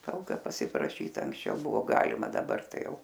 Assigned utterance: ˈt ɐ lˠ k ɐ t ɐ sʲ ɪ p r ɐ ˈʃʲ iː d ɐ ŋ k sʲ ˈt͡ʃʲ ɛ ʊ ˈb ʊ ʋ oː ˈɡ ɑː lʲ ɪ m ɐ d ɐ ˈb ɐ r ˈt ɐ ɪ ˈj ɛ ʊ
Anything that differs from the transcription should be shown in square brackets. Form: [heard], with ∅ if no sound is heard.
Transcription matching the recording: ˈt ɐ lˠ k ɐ [p] ɐ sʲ ɪ p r ɐ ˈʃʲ iː [t] ɐ ŋ k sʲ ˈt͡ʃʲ ɛ ʊ ˈb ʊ ʋ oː ˈɡ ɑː lʲ ɪ m ɐ d ɐ ˈb ɐ r ˈt ɐ ɪ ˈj ɛ ʊ

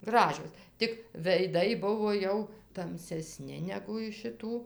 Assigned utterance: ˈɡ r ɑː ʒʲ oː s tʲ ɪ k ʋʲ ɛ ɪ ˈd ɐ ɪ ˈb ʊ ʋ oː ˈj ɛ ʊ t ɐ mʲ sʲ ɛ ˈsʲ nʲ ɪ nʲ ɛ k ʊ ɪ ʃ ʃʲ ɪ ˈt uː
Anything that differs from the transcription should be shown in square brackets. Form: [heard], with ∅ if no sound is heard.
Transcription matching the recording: ˈɡ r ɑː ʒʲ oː s tʲ ɪ k ʋʲ ɛ ɪ ˈd ɐ ɪ ˈb ʊ ʋ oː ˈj ɛ ʊ t ɐ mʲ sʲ ɛ ˈsʲ nʲ ɪ nʲ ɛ [ɡ] ʊ ɪ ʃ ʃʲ ɪ ˈt uː

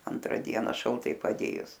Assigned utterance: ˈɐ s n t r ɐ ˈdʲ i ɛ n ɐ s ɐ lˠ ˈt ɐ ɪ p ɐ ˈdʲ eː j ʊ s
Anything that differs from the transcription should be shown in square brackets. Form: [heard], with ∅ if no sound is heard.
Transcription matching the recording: ˈɐ [∅] n t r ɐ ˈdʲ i ɛ n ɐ [ʃ] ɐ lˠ ˈt ɐ ɪ p ɐ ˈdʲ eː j ʊ s

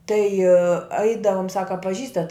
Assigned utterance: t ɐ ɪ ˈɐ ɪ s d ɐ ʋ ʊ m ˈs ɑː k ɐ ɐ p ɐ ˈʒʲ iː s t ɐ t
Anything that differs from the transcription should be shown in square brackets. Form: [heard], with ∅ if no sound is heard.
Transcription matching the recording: t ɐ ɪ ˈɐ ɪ [∅] d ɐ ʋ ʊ m ˈs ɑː k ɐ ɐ p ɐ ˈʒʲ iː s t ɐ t

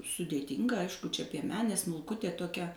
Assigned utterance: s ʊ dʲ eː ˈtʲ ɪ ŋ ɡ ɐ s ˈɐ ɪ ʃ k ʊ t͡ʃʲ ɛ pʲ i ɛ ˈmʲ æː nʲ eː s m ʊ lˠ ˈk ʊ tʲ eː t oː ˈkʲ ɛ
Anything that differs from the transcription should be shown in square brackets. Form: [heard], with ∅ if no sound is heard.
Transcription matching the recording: s ʊ dʲ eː ˈtʲ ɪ ŋ ɡ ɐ [∅] ˈɐ ɪ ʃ k ʊ t͡ʃʲ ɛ pʲ i ɛ ˈmʲ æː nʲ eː s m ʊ lˠ ˈk ʊ tʲ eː t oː ˈkʲ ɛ

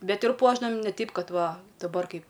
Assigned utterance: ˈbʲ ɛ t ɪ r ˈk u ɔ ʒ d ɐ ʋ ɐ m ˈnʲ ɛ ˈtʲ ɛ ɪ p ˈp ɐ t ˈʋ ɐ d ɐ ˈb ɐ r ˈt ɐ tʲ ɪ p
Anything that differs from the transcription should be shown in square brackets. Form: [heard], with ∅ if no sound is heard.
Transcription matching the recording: ˈbʲ ɛ t ɪ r [ˈp] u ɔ ʒ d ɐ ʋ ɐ m ˈnʲ ɛ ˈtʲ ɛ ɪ p [ˈk] ɐ t ˈʋ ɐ d ɐ ˈb ɐ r [ˈk] ɐ [∅] ɪ p

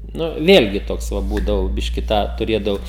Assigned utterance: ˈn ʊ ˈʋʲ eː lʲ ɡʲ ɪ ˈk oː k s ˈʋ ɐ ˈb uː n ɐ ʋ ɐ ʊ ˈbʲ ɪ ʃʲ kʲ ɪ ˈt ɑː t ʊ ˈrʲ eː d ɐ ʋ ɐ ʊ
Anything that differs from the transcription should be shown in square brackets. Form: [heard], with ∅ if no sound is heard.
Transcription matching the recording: ˈn ʊ ˈʋʲ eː lʲ ɡʲ ɪ [ˈt] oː k s ˈʋ ɐ ˈb uː [d] ɐ ʋ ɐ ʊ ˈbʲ ɪ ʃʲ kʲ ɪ ˈt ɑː t ʊ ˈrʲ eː d ɐ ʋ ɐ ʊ

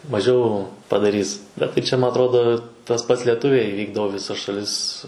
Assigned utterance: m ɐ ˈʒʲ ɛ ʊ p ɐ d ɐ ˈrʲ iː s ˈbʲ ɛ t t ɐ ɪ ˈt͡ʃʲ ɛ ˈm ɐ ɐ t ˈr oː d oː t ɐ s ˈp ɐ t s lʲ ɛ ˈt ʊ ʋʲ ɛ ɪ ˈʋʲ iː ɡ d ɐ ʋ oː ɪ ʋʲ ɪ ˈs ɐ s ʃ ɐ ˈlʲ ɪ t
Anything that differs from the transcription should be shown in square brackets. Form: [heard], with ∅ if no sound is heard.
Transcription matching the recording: m ɐ ˈʒʲ ɛ ʊ p ɐ d ɐ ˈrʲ iː s ˈbʲ ɛ t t ɐ ɪ ˈt͡ʃʲ ɛ ˈm ɐ ɐ t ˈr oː d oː t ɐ s ˈp ɐ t s lʲ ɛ ˈt ʊ ʋʲ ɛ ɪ ˈʋʲ iː ɡ d ɐ ʋ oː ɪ ʋʲ ɪ ˈs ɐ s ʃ ɐ ˈlʲ ɪ [s]

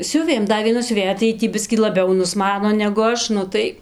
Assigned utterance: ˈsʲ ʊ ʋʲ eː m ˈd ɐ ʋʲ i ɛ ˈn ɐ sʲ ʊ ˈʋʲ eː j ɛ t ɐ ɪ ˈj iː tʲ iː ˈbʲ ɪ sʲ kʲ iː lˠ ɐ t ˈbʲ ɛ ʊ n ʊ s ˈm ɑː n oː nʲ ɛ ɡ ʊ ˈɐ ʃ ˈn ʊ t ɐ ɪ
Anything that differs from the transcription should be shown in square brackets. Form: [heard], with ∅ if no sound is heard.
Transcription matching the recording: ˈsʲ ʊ ʋʲ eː m ˈd ɐ ʋʲ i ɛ ˈn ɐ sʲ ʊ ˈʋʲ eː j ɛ t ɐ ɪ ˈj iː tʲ iː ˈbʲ ɪ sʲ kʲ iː lˠ ɐ [∅] ˈbʲ ɛ ʊ n ʊ s ˈm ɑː n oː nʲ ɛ ɡ ʊ ˈɐ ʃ ˈn ʊ t ɐ ɪ

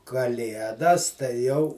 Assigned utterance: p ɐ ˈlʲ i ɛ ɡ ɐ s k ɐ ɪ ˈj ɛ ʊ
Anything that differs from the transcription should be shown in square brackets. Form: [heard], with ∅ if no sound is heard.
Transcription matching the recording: [k] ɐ ˈlʲ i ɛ [d] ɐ s [t] ɐ ɪ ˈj ɛ ʊ

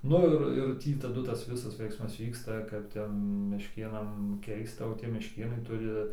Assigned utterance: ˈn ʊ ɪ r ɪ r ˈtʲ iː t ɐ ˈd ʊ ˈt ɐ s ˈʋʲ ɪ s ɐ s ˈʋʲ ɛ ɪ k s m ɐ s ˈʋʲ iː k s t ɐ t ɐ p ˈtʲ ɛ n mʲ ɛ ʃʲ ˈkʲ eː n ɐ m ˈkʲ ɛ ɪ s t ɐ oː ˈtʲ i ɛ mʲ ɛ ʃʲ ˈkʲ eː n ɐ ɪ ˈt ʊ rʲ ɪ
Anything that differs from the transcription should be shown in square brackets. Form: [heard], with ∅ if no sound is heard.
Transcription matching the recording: ˈn ʊ ɪ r ɪ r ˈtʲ iː t ɐ ˈd ʊ ˈt ɐ s ˈʋʲ ɪ s ɐ s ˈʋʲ ɛ ɪ k s m ɐ s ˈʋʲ iː k s t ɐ [k] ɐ p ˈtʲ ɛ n mʲ ɛ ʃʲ ˈkʲ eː n ɐ m ˈkʲ ɛ ɪ s t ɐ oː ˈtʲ i ɛ mʲ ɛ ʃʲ ˈkʲ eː n ɐ ɪ ˈt ʊ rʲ ɪ

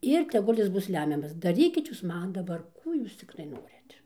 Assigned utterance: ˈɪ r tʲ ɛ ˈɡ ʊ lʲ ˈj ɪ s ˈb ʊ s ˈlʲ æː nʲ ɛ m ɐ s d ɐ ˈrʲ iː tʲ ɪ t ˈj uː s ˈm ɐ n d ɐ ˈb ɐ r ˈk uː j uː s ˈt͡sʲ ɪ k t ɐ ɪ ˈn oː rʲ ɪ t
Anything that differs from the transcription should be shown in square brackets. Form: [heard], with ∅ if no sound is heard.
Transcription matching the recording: ˈɪ r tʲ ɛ ˈɡ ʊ lʲ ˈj ɪ s ˈb ʊ s ˈlʲ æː [mʲ] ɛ m ɐ s d ɐ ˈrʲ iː [kʲ] ɪ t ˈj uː s ˈm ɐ n d ɐ ˈb ɐ r ˈk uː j uː s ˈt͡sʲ ɪ k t ɐ ɪ ˈn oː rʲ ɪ t

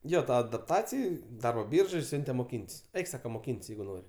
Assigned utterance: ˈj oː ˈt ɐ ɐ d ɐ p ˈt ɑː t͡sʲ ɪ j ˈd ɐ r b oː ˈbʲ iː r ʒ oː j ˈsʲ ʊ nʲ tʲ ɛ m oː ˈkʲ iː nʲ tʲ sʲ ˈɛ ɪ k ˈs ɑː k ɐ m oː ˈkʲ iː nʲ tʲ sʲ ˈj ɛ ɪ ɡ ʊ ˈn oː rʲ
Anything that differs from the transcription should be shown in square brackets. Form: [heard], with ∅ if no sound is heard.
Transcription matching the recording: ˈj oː ˈt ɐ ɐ d ɐ p ˈt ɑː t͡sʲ ɪ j ˈd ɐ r b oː ˈbʲ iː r ʒ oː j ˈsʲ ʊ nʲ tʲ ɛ m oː ˈkʲ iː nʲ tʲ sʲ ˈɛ ɪ k ˈs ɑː k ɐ m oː ˈkʲ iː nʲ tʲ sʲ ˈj ɛ ɪ ɡ ʊ ˈn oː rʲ

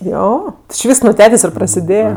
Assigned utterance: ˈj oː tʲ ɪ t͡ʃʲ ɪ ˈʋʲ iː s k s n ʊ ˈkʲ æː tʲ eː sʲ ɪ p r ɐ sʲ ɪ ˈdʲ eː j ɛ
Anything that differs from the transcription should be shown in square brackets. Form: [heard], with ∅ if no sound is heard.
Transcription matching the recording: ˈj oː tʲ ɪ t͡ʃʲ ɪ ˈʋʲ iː s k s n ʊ [ˈtʲ] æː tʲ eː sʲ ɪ p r ɐ sʲ ɪ ˈdʲ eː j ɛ

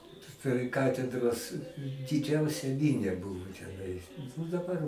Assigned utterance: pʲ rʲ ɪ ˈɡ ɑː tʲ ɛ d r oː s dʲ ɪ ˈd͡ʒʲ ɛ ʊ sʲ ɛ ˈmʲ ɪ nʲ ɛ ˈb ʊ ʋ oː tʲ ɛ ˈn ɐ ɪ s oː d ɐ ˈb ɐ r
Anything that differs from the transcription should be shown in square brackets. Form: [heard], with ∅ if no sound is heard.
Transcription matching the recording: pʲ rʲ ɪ [ˈk] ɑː tʲ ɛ d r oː s dʲ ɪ ˈd͡ʒʲ ɛ ʊ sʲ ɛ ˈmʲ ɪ nʲ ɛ ˈb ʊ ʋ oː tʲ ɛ ˈn ɐ ɪ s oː d ɐ ˈb ɐ r

